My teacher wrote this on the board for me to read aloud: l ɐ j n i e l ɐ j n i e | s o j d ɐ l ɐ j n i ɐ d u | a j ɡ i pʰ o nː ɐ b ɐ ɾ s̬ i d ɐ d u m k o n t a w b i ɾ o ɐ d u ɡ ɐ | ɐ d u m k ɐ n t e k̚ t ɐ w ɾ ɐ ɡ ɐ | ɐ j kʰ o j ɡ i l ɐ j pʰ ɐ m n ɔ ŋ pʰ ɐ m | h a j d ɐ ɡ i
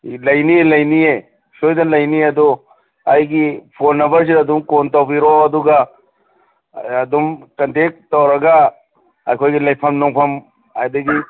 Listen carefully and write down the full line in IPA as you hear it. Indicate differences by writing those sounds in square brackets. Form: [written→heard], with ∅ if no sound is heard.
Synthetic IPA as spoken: l ɐ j n i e l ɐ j n i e | s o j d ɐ l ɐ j n i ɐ d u | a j ɡ i pʰ o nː ɐ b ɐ ɾ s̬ i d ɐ d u m k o n t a w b i ɾ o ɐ d u ɡ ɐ | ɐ d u m k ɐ n t e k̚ t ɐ w ɾ ɐ ɡ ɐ | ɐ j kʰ o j ɡ i l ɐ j pʰ ɐ m n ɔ ŋ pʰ ɐ m | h a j d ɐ ɡ i